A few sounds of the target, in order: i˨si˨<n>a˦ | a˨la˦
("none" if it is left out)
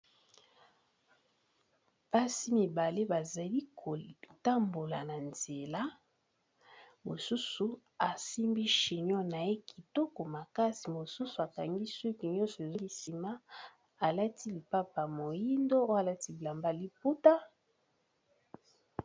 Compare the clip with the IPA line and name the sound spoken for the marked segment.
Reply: m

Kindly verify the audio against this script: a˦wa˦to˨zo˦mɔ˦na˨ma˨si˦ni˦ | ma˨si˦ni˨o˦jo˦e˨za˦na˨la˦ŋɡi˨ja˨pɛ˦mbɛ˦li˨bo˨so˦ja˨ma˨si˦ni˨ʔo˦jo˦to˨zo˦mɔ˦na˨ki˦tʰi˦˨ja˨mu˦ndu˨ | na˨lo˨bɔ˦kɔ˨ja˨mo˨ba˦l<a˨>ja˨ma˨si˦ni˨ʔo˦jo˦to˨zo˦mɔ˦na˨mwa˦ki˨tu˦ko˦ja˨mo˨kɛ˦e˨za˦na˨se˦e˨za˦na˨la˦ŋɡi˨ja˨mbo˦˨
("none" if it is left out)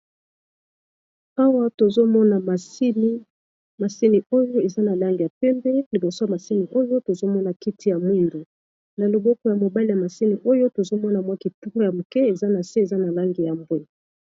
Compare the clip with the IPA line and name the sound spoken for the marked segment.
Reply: i˨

